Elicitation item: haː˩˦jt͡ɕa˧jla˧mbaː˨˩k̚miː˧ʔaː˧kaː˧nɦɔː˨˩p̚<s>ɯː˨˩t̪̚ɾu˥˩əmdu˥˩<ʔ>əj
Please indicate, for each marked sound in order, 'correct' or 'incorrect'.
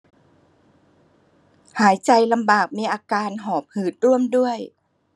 incorrect: h, incorrect: none

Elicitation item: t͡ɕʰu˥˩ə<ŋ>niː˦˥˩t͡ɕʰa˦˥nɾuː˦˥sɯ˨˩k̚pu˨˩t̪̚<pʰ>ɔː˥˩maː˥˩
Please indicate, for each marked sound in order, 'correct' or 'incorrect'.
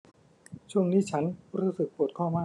correct, incorrect: kʰ

